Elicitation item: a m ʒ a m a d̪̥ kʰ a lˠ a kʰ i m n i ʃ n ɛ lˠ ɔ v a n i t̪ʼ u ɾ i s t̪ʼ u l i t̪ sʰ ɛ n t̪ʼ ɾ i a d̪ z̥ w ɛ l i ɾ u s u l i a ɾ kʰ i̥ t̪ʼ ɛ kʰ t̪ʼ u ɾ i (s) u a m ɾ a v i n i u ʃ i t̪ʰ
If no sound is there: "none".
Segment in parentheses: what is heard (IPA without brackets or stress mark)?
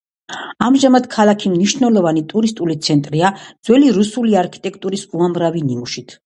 s